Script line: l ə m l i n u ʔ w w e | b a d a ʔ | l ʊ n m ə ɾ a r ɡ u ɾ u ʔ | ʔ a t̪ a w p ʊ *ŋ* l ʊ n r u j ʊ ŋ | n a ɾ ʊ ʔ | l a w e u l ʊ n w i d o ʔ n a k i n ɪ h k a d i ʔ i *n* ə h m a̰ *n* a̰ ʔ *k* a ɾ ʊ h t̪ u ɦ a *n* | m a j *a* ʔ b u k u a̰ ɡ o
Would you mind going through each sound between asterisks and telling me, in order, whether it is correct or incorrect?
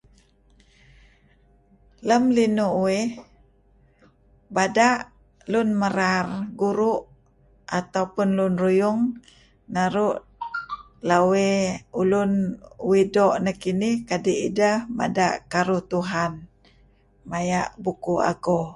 incorrect, incorrect, incorrect, correct, correct, correct

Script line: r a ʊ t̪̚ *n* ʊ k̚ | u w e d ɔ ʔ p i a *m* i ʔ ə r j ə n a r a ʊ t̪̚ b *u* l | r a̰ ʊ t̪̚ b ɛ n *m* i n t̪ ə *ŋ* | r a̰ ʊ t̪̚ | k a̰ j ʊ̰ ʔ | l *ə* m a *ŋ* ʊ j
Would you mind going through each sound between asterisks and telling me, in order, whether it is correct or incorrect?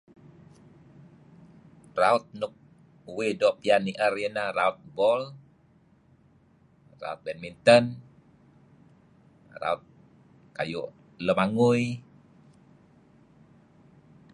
correct, incorrect, incorrect, correct, incorrect, correct, correct

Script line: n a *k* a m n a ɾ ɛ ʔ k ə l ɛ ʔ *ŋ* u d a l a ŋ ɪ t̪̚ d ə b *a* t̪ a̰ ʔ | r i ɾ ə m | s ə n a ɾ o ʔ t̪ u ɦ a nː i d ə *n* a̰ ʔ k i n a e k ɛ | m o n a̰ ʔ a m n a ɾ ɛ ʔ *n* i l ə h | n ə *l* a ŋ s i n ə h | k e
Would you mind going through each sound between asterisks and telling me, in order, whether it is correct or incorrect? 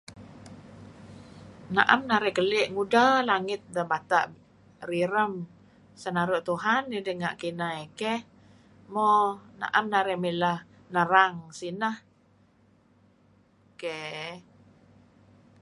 incorrect, correct, correct, incorrect, incorrect, incorrect

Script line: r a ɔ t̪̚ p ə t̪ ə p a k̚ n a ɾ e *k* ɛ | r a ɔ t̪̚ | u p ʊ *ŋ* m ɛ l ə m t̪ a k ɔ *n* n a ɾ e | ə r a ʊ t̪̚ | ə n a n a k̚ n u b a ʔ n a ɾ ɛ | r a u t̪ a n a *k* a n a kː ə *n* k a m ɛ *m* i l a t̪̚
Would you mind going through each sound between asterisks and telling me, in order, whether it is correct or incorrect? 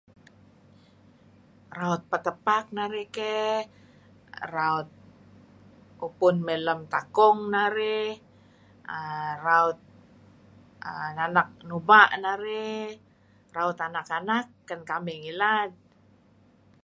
correct, incorrect, incorrect, correct, correct, incorrect

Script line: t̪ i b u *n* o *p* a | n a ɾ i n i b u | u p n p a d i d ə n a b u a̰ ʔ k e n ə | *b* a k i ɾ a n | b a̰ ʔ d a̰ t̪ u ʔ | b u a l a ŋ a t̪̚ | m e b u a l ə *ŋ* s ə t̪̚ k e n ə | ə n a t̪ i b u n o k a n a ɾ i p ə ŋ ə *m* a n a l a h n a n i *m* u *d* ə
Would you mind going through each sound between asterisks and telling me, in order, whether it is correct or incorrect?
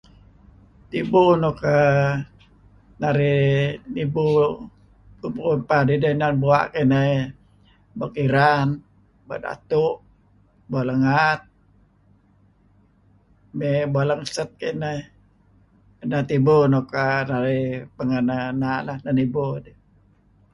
correct, incorrect, correct, correct, incorrect, incorrect, correct

